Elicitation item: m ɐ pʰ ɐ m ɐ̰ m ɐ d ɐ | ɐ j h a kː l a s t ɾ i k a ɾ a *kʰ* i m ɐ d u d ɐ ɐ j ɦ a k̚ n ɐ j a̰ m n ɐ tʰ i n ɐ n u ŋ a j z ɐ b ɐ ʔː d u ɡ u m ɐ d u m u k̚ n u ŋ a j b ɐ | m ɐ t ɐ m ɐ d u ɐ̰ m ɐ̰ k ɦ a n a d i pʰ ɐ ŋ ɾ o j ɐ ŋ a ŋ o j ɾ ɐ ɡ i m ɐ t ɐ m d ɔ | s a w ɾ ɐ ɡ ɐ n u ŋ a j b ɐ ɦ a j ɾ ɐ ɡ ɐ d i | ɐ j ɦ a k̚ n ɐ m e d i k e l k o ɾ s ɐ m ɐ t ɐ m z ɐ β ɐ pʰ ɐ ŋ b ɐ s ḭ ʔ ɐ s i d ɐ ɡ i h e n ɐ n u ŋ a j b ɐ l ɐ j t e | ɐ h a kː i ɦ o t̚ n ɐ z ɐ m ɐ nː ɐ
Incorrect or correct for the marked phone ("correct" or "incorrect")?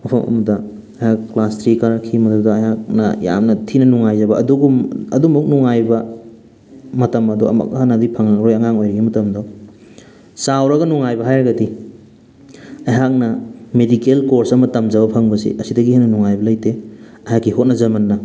correct